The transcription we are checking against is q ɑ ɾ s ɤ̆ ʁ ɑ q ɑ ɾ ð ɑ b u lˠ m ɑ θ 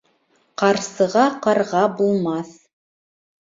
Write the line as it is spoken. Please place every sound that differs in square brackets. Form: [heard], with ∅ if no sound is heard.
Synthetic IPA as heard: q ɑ ɾ s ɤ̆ ʁ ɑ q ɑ ɾ [ʁ] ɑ b u lˠ m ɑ θ